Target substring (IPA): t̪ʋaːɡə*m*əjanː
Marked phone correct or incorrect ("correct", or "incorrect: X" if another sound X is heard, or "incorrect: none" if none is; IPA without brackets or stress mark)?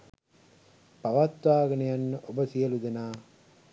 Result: incorrect: n